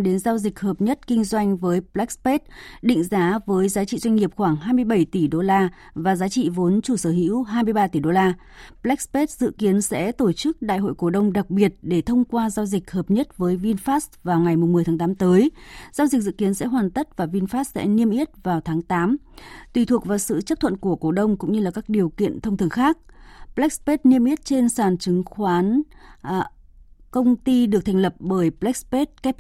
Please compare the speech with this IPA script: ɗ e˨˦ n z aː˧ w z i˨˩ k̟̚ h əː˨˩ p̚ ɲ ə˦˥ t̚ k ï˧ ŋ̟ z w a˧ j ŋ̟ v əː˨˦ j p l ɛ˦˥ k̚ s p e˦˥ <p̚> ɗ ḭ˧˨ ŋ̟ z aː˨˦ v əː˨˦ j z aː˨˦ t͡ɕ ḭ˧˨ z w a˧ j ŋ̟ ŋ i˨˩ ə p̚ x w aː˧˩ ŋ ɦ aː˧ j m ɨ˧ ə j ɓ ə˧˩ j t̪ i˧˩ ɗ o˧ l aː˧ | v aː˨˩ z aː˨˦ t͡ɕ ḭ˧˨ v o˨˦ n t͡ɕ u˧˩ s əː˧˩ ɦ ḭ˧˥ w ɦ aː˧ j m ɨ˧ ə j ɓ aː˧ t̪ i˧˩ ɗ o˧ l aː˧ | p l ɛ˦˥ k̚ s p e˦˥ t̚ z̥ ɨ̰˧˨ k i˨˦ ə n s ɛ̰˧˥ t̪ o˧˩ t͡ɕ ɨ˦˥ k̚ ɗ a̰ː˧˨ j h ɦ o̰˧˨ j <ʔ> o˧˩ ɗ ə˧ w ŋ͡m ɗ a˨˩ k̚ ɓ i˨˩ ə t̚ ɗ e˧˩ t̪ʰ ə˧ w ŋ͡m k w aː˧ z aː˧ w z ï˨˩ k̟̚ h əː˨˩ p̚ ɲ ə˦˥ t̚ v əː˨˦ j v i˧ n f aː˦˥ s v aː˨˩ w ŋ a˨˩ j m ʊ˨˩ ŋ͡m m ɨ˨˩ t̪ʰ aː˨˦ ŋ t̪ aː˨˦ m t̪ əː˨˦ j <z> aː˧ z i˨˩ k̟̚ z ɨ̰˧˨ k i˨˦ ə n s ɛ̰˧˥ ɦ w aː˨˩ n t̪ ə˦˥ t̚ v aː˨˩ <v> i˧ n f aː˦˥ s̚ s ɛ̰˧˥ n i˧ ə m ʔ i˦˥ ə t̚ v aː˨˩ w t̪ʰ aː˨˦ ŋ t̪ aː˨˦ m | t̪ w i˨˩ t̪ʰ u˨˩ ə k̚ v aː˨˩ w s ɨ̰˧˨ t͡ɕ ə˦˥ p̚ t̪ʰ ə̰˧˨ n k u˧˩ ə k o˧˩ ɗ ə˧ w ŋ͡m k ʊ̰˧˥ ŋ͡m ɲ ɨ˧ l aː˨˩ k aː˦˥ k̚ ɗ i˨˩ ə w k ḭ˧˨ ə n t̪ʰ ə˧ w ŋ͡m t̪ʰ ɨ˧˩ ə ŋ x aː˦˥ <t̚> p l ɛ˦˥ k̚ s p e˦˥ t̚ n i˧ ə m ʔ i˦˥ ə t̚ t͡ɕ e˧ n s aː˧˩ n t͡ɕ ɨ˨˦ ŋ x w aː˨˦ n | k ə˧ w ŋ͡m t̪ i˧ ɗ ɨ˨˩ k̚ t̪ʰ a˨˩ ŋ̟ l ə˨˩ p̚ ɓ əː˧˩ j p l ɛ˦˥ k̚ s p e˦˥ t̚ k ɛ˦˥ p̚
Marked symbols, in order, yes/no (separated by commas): no, no, yes, yes, no